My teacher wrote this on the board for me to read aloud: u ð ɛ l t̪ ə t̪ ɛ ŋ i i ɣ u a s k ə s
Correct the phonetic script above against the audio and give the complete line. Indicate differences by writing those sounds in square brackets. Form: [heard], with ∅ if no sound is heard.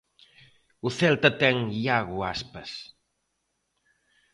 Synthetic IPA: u [θ] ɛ l t̪ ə t̪ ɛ ŋ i [a] ɣ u a s [p] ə s

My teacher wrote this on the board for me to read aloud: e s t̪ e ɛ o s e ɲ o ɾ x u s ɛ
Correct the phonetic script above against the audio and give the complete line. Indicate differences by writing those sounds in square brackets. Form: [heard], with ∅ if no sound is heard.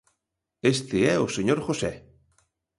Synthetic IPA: e s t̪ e ɛ o s e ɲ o ɾ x [o] s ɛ

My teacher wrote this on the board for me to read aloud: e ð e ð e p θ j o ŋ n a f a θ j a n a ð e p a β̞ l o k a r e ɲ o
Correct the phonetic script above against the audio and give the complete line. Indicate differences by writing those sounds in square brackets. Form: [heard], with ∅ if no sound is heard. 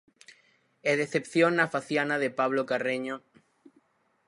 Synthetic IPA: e ð e [θ] e p θ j o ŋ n a f a θ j a n a ð e p a β̞ l o k a r e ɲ o

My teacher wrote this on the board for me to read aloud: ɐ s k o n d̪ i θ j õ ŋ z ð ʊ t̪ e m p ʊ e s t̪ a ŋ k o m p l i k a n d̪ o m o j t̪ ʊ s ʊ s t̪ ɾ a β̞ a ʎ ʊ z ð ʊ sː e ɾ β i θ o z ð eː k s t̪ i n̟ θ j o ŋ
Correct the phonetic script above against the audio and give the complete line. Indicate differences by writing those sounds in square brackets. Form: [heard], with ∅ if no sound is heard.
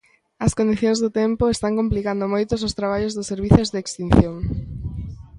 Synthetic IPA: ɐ s k o n d̪ i θ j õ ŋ z ð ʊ t̪ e m p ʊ e s t̪ a ŋ k o m p l i k a n d̪ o m o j t̪ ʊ s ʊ s t̪ ɾ a β̞ a ʎ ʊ z ð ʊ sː e ɾ β i θ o z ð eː k s t̪ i n̟ θ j o ŋ

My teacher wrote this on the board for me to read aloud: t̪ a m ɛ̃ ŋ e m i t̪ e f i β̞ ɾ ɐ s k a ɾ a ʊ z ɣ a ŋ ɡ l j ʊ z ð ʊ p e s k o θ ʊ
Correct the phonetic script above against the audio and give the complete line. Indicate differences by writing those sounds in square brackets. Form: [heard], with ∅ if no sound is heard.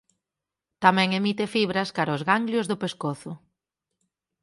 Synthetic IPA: t̪ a m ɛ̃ ŋ e m i t̪ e f i β̞ ɾ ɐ s k a ɾ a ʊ z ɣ a ŋ ɡ l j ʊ z ð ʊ p e s k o θ ʊ

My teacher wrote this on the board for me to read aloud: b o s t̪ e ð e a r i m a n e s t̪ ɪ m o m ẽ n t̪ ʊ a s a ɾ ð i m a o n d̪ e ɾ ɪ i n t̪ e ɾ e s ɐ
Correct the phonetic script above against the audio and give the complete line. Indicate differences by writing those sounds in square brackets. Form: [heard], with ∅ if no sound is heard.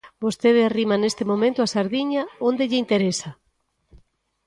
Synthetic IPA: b o s t̪ e ð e a r i m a n e s t̪ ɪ m o m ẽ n t̪ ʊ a s a ɾ ð i [ɲ] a o n d̪ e [ʎ] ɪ i n t̪ e ɾ e s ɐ

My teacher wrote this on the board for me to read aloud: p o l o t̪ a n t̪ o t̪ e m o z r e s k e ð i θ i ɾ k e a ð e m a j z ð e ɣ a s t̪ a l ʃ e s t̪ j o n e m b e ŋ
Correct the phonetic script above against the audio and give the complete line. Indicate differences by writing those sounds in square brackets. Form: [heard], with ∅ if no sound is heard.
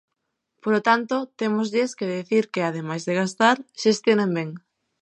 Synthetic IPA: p o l o t̪ a n t̪ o t̪ e m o z [ʎ] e s k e ð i θ i ɾ k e a ð e m a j z ð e ɣ a s t̪ a [ɾ] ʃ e s t̪ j o n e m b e ŋ

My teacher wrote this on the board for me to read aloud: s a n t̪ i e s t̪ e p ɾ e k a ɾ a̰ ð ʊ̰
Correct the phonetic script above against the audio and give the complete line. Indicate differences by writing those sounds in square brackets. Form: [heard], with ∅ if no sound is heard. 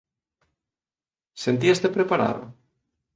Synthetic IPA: s [e] n t̪ i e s t̪ e p ɾ e [p] a ɾ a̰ ð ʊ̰

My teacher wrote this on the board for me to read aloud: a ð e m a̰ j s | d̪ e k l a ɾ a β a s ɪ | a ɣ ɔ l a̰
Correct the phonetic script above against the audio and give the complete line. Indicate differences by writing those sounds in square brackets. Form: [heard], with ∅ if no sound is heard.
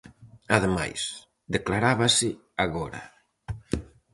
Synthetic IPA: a ð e m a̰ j s | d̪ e k l a ɾ a β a s ɪ | a ɣ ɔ [ɾ] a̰

